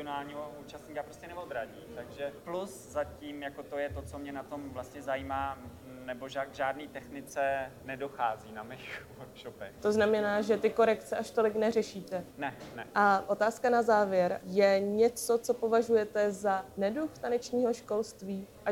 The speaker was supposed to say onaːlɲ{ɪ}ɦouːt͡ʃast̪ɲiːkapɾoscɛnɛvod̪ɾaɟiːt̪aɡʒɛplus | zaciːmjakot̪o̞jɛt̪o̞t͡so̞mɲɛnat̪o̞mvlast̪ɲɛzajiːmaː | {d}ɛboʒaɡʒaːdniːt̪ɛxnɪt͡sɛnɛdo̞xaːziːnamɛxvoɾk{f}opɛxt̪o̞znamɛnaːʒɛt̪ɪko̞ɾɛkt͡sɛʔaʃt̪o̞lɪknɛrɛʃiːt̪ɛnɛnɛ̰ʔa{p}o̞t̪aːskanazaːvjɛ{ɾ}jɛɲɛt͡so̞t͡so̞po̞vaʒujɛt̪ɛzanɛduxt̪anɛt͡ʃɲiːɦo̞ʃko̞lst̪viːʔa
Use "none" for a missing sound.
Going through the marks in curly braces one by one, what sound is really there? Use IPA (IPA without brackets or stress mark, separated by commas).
i, n, ʃ, ʔ, ɾ